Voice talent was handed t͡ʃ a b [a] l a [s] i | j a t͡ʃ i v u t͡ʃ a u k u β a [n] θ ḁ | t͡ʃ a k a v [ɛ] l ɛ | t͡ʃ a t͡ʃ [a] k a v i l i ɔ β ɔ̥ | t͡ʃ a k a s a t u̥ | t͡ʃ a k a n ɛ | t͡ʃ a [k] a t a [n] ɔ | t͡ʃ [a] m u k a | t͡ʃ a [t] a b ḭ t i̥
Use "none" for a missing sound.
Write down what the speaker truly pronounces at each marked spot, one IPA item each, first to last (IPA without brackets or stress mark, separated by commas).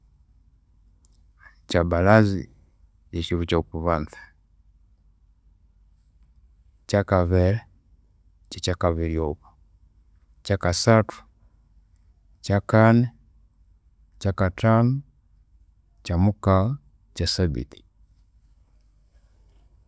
a, z, n, ɛ, a, k, n, a, s